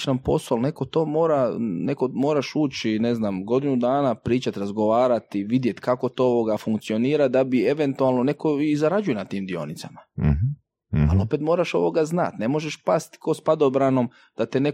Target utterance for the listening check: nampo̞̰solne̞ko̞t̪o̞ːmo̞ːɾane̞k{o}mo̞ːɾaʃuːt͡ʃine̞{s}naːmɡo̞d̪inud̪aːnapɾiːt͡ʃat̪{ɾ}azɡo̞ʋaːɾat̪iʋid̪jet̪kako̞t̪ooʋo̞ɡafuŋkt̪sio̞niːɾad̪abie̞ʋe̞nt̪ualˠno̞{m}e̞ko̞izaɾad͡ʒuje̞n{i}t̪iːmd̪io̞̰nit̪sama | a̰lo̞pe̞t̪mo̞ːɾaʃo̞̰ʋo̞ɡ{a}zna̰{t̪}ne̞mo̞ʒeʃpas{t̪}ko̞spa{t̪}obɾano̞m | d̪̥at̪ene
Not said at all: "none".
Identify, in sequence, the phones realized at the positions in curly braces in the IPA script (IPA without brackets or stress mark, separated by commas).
o, z, ɾ, n, a, a, t̪, t̪, d̪